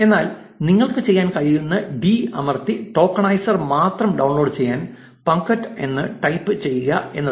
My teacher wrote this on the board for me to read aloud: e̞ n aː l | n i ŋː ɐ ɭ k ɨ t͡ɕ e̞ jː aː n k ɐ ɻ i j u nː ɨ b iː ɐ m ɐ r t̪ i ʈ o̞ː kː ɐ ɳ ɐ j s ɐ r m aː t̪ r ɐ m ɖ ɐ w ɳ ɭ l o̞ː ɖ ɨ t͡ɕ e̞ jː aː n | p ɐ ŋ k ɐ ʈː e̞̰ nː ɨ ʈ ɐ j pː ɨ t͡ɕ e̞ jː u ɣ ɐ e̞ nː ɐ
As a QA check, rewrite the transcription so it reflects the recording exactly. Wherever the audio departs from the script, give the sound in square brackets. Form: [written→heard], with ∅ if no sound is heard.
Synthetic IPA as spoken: e̞ [n→nː] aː l | n i ŋː ɐ ɭ k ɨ t͡ɕ e̞ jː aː n k ɐ ɻ i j u nː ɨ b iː ɐ m ɐ r t̪ i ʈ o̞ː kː ɐ ɳ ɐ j s ɐ r m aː t̪ r ɐ m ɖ ɐ w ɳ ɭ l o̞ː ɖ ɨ t͡ɕ e̞ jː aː n | p ɐ ŋ k ɐ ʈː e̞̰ nː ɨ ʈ ɐ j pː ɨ t͡ɕ e̞ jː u ɣ ɐ e̞ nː ɐ

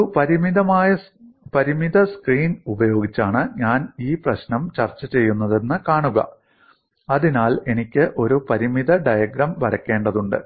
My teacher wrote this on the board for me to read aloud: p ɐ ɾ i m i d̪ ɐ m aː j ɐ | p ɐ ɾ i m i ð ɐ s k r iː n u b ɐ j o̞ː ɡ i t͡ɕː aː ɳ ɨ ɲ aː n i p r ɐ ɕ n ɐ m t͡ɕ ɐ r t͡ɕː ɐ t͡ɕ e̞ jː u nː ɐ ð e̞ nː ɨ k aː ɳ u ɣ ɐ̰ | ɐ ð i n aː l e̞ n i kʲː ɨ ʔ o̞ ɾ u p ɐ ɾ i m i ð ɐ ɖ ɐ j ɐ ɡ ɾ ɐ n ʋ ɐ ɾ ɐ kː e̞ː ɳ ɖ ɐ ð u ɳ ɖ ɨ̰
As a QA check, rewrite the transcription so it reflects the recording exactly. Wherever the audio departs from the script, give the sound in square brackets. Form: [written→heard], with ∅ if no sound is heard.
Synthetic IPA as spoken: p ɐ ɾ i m i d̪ ɐ m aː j ɐ | p ɐ ɾ i m i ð ɐ s k r iː n u b ɐ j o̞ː ɡ i t͡ɕː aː ɳ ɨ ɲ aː n [i→iː] p r ɐ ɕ n ɐ m t͡ɕ ɐ r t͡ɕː ɐ t͡ɕ e̞ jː u nː ɐ ð e̞ nː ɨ k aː ɳ u ɣ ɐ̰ | ɐ ð i n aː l e̞ n i kʲː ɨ ʔ o̞ ɾ u p ɐ ɾ i m i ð ɐ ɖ ɐ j ɐ ɡ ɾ ɐ [n→m] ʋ ɐ ɾ ɐ kː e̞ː ɳ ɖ ɐ ð u ɳ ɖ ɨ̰

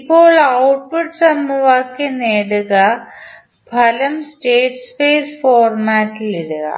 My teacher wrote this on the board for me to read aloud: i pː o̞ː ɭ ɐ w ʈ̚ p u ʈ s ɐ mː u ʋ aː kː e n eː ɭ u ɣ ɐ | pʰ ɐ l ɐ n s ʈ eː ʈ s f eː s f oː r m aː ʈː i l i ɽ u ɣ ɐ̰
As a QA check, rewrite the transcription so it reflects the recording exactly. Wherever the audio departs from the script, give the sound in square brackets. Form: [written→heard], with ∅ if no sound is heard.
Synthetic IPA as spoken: i pː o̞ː ɭ ɐ w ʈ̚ p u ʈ s ɐ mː u ʋ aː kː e n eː [ɭ→ɽ] u ɣ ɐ | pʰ ɐ l ɐ [n→m] s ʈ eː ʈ s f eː s f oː r m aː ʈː i l i ɽ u ɣ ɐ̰

